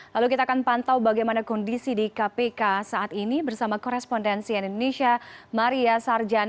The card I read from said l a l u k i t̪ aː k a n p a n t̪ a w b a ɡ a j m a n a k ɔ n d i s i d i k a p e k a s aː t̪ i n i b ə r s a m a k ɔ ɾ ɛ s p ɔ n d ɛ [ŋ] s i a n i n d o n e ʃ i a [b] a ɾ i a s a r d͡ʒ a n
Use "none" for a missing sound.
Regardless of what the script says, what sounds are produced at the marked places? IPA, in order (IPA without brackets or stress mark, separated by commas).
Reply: n, m